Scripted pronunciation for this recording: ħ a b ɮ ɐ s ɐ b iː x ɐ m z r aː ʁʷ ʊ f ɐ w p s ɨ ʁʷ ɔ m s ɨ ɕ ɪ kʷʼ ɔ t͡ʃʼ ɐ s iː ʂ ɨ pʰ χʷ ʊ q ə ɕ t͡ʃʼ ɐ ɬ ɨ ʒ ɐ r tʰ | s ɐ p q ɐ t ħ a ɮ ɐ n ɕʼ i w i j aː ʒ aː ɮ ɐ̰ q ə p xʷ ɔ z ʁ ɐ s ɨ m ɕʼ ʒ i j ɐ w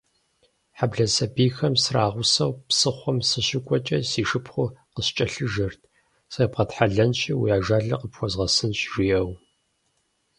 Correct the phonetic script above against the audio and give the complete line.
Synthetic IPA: ħ a b ɮ ɐ s ɐ b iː x ɐ m s r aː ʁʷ ʊ s ɐ w p s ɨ χʷ ɔ m s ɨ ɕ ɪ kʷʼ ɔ t͡ʃʼ ɐ s iː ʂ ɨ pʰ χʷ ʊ q ə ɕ t͡ʃʼ ɐ ɬ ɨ ʒ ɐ r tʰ | s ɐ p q ɐ t ħ a ɮ ɐ n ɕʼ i w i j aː ʒ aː ɮ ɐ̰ q ə p xʷ ɔ z ʁ ɐ s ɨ n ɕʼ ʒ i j ɐ w